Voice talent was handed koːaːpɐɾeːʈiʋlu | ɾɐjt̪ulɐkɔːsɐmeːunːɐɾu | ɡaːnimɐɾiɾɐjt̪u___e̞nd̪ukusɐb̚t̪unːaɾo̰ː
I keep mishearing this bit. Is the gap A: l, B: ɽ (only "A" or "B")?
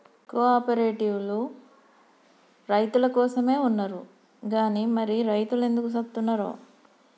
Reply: A